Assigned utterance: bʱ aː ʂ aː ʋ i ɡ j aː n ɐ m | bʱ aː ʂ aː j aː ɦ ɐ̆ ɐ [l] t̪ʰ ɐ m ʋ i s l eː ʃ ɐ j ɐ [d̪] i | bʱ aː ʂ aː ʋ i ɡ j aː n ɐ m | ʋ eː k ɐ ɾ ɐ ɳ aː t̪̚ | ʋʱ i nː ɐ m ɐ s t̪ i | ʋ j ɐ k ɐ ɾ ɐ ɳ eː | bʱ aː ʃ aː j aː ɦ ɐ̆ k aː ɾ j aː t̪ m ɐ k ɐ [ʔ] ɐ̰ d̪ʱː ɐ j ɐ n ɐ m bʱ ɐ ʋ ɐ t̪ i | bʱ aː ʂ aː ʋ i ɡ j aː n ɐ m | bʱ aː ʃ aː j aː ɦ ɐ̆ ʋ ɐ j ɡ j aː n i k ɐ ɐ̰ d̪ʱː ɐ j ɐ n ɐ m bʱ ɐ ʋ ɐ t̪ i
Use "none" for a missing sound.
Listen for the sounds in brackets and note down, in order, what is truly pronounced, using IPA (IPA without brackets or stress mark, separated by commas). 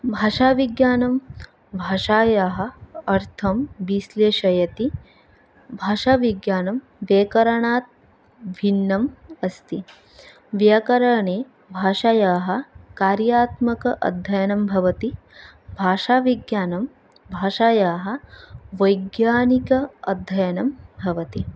ɾ, t̪, ʔ